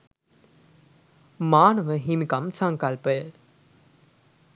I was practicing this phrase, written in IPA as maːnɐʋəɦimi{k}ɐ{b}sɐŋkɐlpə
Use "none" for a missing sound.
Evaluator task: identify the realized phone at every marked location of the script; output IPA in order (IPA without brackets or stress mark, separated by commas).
k, m